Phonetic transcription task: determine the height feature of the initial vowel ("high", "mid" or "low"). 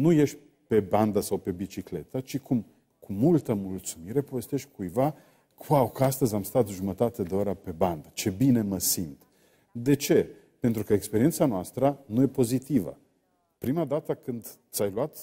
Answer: high